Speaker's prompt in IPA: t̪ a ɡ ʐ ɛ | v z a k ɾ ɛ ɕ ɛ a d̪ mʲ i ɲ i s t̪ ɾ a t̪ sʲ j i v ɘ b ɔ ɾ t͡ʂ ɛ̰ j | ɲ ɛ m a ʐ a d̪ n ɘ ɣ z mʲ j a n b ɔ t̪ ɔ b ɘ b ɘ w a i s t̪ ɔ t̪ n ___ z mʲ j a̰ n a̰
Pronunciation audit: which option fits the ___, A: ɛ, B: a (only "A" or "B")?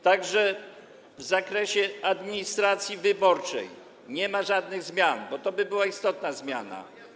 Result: B